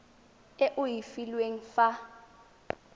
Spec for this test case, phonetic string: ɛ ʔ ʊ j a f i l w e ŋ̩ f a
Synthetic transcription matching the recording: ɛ ʔ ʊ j i f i l w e ŋ̩ f a